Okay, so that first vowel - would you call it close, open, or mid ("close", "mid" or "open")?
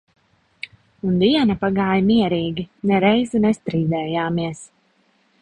close